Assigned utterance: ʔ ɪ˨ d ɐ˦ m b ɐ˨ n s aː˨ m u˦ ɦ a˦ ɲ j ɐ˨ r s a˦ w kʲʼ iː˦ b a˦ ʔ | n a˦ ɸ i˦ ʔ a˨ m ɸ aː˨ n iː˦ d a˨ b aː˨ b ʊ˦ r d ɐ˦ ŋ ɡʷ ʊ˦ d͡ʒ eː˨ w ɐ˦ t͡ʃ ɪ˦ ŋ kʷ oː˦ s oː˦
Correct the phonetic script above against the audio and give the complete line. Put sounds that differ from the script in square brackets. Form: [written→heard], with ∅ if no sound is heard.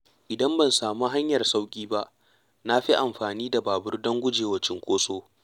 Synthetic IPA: ʔ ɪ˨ d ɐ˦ m b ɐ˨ n s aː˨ m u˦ ɦ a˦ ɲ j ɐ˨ r s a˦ w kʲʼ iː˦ b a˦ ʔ | n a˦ ɸ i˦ ʔ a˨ m ɸ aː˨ n iː˦ d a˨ b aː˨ b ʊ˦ r d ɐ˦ ŋ ɡʷ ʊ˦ d͡ʒ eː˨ w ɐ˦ t͡ʃ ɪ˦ ŋ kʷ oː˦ s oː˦